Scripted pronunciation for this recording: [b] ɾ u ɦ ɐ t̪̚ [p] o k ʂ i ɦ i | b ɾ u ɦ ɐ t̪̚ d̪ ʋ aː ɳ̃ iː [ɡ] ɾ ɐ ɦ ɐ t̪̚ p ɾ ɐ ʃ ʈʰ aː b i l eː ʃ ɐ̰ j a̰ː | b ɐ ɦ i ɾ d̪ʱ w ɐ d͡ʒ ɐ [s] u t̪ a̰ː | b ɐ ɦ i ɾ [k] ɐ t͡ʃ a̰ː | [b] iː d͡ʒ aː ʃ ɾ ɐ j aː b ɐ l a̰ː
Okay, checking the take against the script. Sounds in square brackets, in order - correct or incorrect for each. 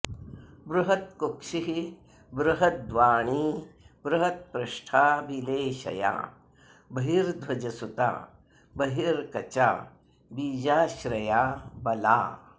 correct, incorrect: k, incorrect: b, correct, correct, correct

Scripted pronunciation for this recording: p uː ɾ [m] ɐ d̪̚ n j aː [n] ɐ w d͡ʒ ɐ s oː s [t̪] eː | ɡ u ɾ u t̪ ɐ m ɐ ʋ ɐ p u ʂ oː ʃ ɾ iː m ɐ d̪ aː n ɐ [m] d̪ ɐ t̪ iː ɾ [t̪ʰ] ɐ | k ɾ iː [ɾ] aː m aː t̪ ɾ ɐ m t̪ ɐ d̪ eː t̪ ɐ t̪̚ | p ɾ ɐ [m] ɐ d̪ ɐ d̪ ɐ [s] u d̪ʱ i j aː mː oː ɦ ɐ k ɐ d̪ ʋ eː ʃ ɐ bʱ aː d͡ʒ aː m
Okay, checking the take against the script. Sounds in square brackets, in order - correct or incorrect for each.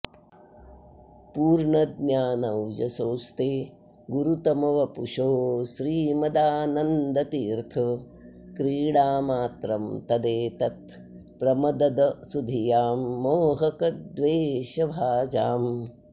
incorrect: ɳ, correct, correct, incorrect: n, correct, incorrect: ɽ, correct, correct

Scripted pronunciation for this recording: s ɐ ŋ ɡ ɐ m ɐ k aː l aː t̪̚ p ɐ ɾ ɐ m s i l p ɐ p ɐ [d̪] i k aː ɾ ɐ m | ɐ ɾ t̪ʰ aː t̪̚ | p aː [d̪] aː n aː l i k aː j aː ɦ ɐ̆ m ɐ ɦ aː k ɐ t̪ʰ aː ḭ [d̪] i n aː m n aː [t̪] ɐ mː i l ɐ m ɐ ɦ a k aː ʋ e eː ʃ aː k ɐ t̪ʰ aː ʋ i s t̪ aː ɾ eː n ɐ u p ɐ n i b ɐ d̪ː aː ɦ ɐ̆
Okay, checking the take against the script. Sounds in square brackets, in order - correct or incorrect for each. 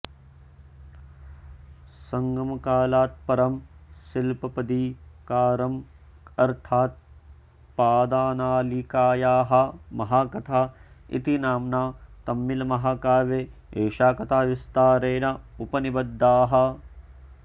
correct, correct, incorrect: t̪, correct

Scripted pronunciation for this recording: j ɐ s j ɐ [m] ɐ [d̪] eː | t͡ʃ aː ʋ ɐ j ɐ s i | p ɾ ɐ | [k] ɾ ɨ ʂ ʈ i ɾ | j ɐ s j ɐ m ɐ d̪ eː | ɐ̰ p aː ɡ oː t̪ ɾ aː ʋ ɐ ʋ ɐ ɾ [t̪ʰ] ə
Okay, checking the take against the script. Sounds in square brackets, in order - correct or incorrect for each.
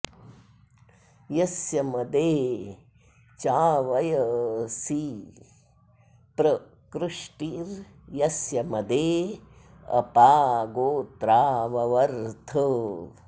correct, correct, correct, correct

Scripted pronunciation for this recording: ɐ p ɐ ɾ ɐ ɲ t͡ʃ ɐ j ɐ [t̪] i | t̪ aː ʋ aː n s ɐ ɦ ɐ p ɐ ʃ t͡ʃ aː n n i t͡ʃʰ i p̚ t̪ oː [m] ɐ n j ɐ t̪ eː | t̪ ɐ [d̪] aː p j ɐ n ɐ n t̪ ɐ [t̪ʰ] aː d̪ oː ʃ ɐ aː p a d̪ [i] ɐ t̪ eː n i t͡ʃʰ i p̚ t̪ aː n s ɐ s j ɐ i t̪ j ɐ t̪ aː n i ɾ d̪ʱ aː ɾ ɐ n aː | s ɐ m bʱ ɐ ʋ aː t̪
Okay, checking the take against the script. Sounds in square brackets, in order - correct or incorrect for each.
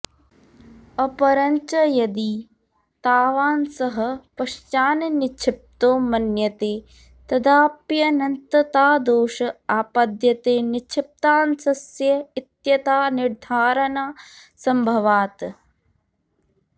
incorrect: d̪, correct, correct, incorrect: t̪, incorrect: j

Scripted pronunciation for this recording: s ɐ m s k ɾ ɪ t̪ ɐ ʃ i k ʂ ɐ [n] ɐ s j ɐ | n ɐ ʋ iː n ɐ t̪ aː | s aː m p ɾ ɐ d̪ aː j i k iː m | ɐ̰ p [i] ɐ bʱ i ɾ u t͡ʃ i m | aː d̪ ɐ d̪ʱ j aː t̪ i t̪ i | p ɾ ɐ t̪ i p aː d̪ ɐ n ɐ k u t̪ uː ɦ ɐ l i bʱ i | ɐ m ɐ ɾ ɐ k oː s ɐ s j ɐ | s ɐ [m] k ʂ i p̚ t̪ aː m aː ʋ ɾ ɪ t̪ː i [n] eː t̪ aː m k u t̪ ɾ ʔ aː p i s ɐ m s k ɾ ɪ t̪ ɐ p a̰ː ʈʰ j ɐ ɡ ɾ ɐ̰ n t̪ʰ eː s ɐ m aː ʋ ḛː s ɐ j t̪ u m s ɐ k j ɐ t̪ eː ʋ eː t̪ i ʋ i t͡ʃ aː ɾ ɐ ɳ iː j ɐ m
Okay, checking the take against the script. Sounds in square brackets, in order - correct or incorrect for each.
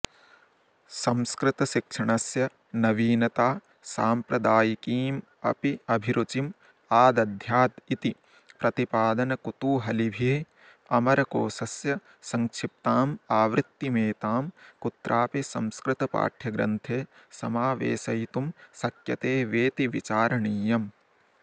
incorrect: ɳ, correct, incorrect: ŋ, incorrect: m

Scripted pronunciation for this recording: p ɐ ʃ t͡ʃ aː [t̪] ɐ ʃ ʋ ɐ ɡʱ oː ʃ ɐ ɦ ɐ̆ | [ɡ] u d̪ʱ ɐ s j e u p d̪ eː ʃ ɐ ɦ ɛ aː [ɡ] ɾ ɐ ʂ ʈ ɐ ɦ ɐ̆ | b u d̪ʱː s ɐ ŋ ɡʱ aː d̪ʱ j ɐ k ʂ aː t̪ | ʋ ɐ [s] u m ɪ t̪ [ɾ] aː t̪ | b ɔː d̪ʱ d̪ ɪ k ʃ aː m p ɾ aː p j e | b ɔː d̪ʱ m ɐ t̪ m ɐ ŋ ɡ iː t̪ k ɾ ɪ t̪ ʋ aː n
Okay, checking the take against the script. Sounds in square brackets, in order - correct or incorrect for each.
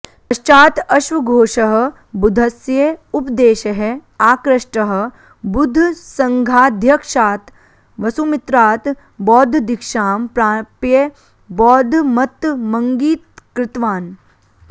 correct, incorrect: b, incorrect: k, correct, correct

